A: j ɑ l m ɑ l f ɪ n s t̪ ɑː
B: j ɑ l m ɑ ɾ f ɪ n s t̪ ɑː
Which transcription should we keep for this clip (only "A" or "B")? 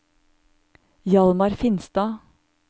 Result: B